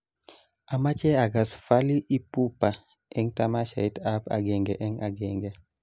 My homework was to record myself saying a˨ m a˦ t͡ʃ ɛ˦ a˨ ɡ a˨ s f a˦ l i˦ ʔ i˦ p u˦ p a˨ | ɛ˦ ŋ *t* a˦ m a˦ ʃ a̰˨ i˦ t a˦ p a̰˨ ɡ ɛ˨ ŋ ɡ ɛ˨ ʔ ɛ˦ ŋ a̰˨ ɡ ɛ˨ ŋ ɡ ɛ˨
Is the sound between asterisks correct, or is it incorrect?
correct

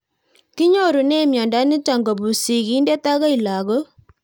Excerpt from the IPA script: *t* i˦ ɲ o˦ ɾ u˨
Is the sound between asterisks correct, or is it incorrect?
incorrect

